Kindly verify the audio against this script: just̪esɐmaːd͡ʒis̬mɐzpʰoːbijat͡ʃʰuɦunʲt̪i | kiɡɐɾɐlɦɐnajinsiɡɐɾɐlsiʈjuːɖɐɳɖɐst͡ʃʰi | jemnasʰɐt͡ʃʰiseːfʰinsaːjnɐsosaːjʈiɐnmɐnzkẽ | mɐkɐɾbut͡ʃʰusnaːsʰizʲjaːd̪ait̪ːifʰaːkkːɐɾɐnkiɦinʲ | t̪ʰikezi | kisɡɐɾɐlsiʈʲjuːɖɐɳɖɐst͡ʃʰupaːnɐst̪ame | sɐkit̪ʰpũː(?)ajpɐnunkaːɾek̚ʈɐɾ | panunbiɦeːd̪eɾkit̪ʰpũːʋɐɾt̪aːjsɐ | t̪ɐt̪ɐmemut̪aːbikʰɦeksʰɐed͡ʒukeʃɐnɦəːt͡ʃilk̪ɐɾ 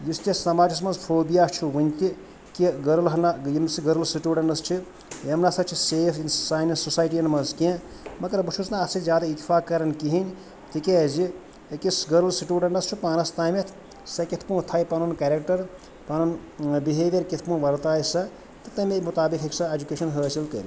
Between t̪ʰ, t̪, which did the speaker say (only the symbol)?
t̪ʰ